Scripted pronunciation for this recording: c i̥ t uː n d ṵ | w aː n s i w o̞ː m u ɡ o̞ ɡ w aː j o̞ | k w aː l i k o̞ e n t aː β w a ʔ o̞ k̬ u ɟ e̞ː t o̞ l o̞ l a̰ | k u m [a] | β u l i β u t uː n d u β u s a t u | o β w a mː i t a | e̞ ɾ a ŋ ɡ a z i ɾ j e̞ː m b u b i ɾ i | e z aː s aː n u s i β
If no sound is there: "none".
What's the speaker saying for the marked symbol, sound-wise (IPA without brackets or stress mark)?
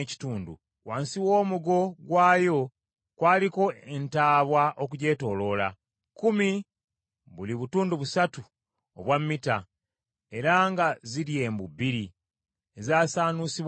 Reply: i